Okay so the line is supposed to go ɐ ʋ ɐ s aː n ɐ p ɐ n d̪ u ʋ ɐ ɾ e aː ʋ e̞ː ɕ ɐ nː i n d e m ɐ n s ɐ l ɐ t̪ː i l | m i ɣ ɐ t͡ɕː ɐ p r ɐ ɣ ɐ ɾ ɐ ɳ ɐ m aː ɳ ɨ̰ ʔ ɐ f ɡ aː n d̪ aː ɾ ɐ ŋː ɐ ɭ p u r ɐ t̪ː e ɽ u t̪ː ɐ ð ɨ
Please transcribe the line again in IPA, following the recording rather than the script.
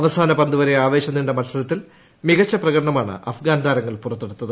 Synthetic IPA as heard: ɐ ʋ ɐ s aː n ɐ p ɐ n d̪ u ʋ ɐ ɾ e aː ʋ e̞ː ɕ ɐ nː i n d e m ɐ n s ɐ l ɐ t̪ː i l | m i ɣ ɐ t͡ɕː ɐ p r ɐ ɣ ɐ ɾ ɐ ɳ ɐ m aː ɳ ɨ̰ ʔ ɐ f ɡ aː n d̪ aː ɾ ɐ ŋː ɐ ɭ p u r ɐ t̪ː e ɽ u t̪ː ɐ ð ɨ

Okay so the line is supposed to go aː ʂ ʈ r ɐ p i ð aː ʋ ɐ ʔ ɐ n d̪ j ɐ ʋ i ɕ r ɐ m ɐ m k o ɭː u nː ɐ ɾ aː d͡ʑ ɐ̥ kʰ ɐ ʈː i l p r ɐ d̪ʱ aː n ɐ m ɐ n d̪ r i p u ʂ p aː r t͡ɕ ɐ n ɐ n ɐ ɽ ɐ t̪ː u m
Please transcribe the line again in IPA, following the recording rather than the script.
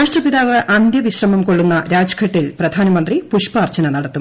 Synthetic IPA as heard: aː ʂ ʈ r ɐ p i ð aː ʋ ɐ ʔ ɐ n d̪ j ɐ ʋ i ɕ r ɐ m ɐ m k o ɭː u nː ɐ ɾ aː d͡ʑ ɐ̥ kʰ ɐ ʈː i l p r ɐ d̪ʱ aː n ɐ m ɐ n d̪ r i p u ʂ p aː r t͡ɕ ɐ n ɐ n ɐ ɽ ɐ t̪ː u m

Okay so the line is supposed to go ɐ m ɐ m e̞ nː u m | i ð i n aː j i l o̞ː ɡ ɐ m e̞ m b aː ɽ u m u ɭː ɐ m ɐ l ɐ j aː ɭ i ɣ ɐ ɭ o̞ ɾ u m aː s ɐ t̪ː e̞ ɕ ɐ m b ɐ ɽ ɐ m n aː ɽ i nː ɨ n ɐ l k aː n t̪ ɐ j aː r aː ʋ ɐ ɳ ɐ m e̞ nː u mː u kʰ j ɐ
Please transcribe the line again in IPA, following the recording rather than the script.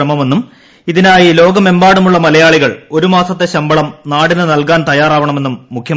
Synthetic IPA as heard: ɐ m ɐ m e̞ nː u m | i ð i n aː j i l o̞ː ɡ ɐ m e̞ m b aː ɽ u m u ɭː ɐ m ɐ l ɐ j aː ɭ i ɣ ɐ ɭ o̞ ɾ u m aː s ɐ t̪ː e̞ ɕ ɐ m b ɐ ɭ ɐ m n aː ɽ i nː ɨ n ɐ l k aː n t̪ ɐ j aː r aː ʋ ɐ ɳ ɐ m e̞ nː u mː u kʰ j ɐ

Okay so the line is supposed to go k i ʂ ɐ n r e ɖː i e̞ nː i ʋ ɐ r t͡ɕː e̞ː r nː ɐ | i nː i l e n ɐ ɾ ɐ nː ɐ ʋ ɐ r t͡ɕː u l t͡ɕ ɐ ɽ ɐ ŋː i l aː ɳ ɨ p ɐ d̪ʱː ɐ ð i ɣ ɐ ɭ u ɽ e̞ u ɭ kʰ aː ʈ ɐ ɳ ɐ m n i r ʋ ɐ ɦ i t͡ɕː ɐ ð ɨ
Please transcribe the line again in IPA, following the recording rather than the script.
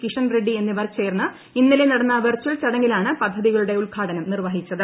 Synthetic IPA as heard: k i ʂ ɐ n r e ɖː i e̞ nː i ʋ ɐ r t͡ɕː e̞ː r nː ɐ | i nː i l e n ɐ ɽ ɐ nː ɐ ʋ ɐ r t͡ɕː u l t͡ɕ ɐ ɽ ɐ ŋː i l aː ɳ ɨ p ɐ d̪ʱː ɐ ð i ɣ ɐ ɭ u ɽ e̞ u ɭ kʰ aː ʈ ɐ n ɐ m n i r ʋ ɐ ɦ i t͡ɕː ɐ ð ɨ

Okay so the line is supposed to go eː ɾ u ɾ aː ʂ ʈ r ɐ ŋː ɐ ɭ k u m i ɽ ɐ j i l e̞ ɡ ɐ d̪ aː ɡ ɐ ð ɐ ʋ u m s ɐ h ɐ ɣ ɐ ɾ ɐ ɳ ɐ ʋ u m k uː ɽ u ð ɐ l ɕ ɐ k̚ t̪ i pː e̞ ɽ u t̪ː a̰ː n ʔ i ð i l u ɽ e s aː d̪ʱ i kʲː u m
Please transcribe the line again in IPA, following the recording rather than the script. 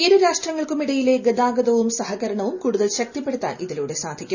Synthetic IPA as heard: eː ɾ u ɾ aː ʂ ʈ r ɐ ŋː ɐ ɭ k u m i ɽ ɐ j i l e̞ ɡ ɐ d̪ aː ɡ ɐ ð ɐ ʋ u m s ɐ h ɐ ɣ ɐ ɾ ɐ ɳ ɐ ʋ u m k uː ɽ u ð ɐ l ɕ ɐ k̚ t̪ i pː e̞ ɽ u t̪ː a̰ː n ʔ i ð i l uː ɽ e s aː d̪ʱ i kʲː u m

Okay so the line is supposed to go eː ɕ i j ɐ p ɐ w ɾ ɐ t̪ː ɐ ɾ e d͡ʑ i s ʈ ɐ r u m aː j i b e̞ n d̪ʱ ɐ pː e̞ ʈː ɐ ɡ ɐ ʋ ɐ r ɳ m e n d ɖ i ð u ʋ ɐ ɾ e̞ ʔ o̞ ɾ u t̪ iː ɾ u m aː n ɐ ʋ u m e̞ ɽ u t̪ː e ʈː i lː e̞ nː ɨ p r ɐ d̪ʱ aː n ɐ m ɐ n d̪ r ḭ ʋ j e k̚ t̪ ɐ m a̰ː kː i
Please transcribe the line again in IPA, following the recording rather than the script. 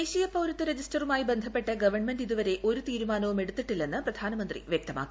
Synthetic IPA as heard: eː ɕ i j ɐ p ɐ w ɾ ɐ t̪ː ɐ ɾ e d͡ʑ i s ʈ ɐ r u m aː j i b e̞ n d̪ʱ ɐ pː e̞ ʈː ɐ ɡ ɐ ʋ ɐ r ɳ m e n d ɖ i ð u ʋ ɐ ɾ e̞ ʔ o̞ ɾ u t̪ iː ɾ u m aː n ɐ ʋ u m e̞ ɽ u t̪ː i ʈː i lː e̞ nː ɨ p r ɐ d̪ʱ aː n ɐ m ɐ n d̪ r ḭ ʋ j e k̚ t̪ ɐ m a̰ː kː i

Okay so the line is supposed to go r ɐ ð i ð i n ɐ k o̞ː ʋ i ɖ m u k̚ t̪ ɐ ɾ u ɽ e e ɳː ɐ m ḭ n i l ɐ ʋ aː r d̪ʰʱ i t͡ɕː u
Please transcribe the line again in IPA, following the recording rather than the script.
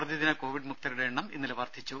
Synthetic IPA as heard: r ɐ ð i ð i n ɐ k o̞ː ʋ i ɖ m u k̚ t̪ ɐ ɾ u ɽ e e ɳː ɐ m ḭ nː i l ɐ ʋ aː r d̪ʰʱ i t͡ɕː u

